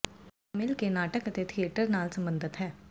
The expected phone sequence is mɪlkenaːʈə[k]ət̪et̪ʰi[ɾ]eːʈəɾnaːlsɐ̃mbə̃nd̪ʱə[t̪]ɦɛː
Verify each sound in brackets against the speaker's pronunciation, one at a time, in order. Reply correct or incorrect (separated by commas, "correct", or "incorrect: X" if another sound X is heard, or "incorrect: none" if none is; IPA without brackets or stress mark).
correct, incorrect: none, correct